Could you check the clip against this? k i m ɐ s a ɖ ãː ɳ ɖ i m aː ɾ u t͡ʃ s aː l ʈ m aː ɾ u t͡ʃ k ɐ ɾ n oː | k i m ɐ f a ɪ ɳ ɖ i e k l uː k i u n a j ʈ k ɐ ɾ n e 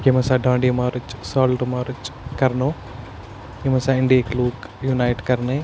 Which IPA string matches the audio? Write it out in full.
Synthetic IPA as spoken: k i m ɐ s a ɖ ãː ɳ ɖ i m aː ɾ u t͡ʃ s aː l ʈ m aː ɾ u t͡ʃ k ɐ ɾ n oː | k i m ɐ s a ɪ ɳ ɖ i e k l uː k j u n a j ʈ k ɐ ɾ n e